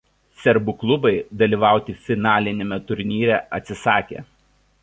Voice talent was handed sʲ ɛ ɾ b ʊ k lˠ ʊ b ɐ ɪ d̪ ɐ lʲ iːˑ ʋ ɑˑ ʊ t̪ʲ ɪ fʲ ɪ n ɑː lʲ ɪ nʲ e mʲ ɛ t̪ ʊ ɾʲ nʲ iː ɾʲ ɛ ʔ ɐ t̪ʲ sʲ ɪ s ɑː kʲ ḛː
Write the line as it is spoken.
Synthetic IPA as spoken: sʲ ɛ ɾ b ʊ k lˠ ʊ b ɐ ɪ d̪ ɐ lʲ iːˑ ʋ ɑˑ ʊ t̪ʲ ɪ fʲ ɪ n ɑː lʲ ɪ nʲ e mʲ ɛ t̪ ʊ ɾʲ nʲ iː ɾʲ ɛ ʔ ɐ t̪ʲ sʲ ɪ s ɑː kʲ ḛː